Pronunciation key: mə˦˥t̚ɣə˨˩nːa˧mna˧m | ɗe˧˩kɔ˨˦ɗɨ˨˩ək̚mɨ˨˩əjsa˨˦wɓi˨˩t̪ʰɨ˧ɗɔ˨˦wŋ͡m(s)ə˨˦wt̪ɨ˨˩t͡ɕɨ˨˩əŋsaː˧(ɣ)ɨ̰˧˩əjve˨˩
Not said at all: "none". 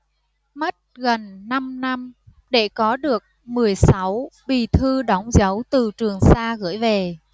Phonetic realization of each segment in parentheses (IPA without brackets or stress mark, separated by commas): z, ɣ